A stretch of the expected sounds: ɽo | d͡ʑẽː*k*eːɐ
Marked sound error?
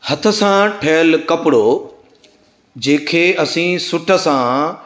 yes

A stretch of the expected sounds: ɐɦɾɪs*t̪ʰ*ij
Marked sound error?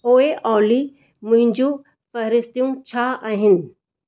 yes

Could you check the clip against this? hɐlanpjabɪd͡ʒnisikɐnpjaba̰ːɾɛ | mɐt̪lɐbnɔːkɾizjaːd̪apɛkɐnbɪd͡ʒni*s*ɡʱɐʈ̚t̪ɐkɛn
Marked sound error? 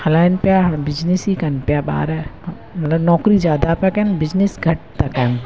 no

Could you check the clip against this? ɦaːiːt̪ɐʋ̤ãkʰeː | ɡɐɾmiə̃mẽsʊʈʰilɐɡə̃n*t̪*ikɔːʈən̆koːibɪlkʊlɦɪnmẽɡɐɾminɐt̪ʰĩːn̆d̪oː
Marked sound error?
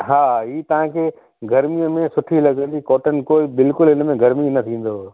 yes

